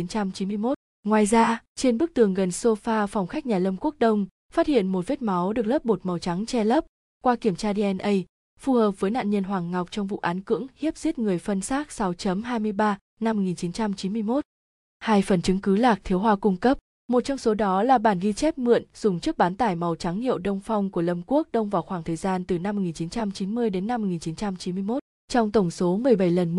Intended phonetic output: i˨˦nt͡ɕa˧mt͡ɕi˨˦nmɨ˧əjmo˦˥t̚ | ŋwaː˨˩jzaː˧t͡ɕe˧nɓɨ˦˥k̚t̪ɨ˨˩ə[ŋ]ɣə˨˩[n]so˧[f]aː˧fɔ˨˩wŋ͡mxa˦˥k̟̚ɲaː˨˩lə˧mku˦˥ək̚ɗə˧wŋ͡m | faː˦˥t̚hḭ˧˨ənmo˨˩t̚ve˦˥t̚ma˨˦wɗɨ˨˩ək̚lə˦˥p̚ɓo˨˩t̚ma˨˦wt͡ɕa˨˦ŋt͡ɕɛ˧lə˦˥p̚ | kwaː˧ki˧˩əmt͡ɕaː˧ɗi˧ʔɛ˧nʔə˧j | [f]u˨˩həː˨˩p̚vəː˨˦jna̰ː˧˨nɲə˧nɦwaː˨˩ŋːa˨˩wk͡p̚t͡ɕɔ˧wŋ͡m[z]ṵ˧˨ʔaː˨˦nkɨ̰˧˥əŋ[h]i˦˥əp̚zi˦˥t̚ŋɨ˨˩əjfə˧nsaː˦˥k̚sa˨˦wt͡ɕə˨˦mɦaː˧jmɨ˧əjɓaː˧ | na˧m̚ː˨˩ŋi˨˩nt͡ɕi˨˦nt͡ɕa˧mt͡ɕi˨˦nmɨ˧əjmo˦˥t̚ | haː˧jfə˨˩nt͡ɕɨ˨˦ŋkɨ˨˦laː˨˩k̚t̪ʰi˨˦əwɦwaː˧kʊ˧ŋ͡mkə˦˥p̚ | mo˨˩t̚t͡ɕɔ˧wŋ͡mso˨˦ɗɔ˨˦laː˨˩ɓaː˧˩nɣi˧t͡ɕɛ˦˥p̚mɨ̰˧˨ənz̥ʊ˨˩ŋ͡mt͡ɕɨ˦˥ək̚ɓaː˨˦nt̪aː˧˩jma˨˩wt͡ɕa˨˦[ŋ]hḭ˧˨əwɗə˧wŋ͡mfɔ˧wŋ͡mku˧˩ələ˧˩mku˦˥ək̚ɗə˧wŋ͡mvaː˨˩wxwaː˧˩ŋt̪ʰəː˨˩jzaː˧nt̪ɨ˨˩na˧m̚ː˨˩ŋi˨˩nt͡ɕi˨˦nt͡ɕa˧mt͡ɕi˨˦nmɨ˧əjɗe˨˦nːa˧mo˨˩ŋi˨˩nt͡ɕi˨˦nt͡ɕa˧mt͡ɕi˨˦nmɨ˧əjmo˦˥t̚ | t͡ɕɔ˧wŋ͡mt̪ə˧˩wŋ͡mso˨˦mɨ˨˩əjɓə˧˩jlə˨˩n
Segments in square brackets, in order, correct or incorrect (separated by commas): correct, correct, correct, correct, incorrect, correct, correct